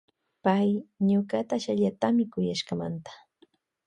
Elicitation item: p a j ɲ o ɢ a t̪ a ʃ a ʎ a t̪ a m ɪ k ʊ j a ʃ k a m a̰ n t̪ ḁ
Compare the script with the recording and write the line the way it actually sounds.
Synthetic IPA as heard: p a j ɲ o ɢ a t̪ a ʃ a ʎ a t̪ a m ɪ k ʊ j a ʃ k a m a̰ n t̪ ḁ